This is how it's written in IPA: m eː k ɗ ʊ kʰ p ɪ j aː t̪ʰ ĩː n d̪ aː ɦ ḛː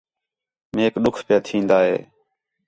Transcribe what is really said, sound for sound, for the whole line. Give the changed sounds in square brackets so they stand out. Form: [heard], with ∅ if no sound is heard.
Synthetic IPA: m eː k ɗ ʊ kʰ p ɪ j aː t̪ʰ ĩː n d̪ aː ɦ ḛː